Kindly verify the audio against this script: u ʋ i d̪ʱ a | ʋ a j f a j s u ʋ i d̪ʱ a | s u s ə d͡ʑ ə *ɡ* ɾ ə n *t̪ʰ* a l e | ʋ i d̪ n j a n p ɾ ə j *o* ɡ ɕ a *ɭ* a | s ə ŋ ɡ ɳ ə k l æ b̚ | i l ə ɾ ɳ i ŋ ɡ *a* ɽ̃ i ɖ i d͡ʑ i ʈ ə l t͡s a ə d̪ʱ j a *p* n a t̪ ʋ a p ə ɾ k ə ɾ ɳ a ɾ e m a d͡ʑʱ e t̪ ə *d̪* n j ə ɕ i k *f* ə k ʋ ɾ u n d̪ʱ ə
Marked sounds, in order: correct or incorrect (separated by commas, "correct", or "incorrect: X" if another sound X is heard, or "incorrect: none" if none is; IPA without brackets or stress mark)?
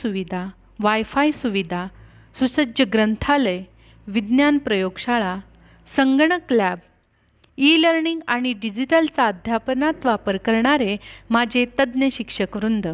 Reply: correct, correct, correct, correct, correct, correct, correct, incorrect: ʂ